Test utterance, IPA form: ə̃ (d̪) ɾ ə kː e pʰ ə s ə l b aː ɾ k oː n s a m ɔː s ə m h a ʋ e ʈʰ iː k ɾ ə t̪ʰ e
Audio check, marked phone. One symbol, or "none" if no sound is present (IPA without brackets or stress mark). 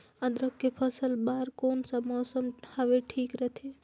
d̪